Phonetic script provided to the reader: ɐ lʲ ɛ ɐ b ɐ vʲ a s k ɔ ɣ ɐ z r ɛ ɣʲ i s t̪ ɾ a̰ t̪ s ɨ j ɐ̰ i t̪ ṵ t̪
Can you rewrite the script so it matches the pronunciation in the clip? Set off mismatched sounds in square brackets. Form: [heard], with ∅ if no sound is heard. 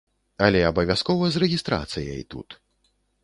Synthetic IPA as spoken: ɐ lʲ ɛ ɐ b ɐ vʲ a s k ɔ [v] ɐ z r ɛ ɣʲ i s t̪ ɾ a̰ t̪ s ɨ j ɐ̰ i t̪ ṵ t̪